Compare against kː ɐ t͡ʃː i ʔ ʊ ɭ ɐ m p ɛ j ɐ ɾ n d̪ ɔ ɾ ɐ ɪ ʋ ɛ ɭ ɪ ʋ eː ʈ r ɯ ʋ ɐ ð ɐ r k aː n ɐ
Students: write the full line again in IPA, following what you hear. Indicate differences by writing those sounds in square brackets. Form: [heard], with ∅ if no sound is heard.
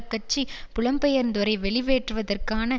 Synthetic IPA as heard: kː ɐ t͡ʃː i [p] ʊ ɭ ɐ m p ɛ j ɐ ɾ n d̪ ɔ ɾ ɐ ɪ ʋ ɛ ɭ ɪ ʋ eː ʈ r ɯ ʋ ɐ ð ɐ r k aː n ɐ